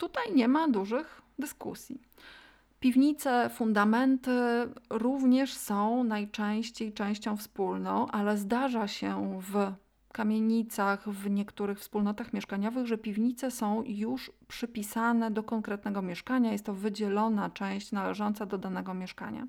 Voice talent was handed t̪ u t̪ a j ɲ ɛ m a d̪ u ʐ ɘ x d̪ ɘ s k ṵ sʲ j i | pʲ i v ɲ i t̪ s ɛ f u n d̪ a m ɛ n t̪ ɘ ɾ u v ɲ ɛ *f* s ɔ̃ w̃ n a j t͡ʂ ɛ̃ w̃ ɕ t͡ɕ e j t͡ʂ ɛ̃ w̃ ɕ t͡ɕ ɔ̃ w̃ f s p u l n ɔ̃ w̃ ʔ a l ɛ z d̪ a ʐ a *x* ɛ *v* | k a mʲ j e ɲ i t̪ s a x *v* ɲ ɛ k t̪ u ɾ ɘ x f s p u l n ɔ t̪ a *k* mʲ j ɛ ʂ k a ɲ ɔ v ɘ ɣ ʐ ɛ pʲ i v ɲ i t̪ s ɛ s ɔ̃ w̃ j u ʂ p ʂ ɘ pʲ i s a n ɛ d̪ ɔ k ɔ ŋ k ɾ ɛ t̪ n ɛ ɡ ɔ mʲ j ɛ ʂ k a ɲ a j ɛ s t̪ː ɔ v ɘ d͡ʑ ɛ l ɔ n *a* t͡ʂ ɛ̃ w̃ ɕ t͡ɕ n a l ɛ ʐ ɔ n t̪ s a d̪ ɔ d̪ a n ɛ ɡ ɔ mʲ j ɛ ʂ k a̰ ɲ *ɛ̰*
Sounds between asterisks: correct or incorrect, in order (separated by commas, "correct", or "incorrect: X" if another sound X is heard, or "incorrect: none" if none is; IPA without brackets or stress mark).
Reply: incorrect: ʂ, incorrect: ɕ, correct, correct, incorrect: x, correct, incorrect: a̰